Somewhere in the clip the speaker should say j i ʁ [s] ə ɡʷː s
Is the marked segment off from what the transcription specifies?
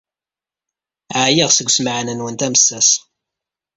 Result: no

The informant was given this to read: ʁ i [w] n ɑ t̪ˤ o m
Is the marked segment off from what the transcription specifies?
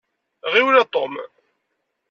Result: no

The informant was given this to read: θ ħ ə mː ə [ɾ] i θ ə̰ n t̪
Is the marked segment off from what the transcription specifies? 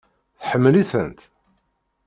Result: yes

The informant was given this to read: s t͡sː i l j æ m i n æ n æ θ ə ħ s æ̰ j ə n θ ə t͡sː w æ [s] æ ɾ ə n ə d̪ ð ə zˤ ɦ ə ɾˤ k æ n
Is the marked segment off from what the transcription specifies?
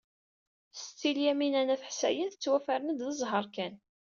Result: yes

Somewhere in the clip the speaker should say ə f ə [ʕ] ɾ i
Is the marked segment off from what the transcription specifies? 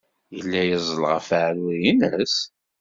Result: no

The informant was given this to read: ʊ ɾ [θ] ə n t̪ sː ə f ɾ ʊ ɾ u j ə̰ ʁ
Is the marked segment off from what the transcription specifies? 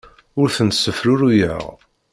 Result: no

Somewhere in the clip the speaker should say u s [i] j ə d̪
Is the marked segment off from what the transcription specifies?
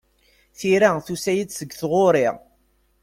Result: yes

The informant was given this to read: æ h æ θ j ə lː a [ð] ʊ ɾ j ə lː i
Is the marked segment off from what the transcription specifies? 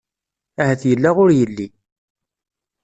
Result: yes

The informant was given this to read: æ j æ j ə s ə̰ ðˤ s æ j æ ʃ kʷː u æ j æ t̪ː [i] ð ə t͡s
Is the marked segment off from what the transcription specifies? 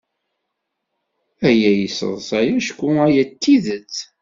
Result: no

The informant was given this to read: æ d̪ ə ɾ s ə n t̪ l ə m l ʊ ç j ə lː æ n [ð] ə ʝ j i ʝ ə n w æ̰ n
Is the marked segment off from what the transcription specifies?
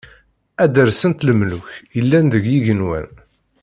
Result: no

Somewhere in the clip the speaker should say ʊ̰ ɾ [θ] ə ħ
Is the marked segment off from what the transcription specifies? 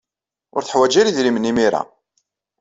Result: no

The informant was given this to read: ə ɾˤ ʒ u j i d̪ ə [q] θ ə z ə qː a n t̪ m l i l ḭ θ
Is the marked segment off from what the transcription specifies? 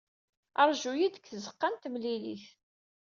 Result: yes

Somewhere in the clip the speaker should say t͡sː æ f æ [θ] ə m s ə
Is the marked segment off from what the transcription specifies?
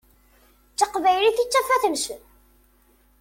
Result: no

